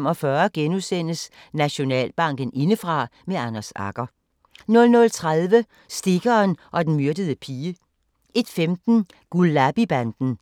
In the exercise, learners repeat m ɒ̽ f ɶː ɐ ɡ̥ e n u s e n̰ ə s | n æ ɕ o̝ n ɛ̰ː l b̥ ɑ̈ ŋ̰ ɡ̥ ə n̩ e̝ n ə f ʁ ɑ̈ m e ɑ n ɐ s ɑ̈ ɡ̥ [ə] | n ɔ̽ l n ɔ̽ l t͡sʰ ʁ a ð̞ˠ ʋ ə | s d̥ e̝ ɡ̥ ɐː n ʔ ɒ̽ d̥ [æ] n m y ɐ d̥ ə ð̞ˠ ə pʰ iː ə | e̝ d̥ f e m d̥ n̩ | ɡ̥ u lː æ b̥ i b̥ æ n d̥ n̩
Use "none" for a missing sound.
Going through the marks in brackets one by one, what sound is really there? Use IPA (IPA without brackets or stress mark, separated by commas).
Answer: ɐ, e